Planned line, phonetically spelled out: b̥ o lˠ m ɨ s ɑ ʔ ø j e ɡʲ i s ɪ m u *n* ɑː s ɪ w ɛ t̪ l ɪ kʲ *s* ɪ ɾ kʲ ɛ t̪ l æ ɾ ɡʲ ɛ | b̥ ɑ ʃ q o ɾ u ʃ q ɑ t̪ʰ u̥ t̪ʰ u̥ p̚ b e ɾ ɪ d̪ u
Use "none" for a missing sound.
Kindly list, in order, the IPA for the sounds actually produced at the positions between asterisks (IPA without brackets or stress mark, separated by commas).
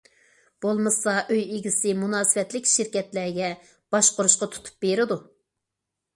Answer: n, ʃ